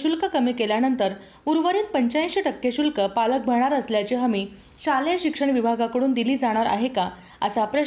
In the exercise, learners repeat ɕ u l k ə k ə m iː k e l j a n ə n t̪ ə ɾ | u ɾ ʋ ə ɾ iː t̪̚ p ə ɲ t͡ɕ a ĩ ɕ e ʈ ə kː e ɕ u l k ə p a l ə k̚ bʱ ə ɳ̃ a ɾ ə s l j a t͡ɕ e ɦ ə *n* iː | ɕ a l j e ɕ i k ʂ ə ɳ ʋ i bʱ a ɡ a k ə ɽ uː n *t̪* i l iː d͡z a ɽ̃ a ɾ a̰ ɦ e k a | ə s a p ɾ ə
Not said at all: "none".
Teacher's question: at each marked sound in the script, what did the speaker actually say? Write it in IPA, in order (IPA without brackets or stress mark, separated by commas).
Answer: m, d̪